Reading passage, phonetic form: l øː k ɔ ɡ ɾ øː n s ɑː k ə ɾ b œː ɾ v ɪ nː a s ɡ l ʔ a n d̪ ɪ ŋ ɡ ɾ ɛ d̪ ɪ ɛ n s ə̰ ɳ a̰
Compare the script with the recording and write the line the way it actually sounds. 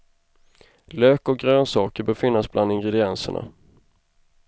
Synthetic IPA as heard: l øː k ɔ ɡ ɾ øː n s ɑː k ə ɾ b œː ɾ f ɪ nː a s b l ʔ a n d̪ ɪ ŋ ɡ ɾ ɛ d̪ ɪ ɛ n s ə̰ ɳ a̰